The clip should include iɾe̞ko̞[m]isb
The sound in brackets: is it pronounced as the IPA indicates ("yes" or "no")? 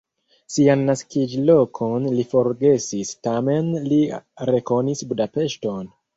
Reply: no